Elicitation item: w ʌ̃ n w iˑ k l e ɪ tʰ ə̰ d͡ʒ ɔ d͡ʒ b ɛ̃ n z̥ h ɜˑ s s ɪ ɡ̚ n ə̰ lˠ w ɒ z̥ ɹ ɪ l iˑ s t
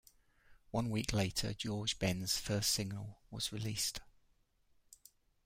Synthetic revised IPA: w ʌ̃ n w iˑ k l e ɪ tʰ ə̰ d͡ʒ ɔː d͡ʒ b ɛ̃ n z̥ f ɜˑ s s ɪ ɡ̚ n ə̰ lˠ w ɒ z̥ ɹ ɪ l iˑ s t